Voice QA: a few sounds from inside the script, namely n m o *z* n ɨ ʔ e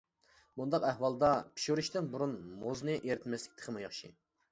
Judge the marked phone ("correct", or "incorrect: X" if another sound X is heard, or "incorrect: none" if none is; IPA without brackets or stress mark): correct